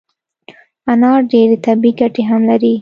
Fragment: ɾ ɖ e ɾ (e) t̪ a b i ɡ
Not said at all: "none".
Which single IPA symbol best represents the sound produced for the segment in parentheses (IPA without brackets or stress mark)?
e